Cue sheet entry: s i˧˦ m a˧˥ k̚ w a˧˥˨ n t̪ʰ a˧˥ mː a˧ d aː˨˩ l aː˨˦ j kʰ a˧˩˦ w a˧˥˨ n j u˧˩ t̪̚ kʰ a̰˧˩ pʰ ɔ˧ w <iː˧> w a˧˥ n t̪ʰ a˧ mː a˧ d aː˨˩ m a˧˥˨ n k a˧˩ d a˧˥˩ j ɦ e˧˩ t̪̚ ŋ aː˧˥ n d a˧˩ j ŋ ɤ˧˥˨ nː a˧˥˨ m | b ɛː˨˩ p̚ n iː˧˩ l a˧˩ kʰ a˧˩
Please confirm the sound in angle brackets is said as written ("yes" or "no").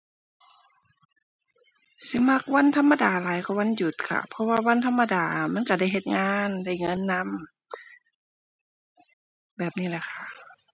no